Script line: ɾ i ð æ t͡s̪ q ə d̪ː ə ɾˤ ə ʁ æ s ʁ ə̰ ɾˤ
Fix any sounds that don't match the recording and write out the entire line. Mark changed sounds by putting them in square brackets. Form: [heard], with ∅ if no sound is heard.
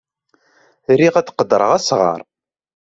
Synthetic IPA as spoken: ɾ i [ʁ] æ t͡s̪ q ə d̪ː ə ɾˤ ə ʁ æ s ʁ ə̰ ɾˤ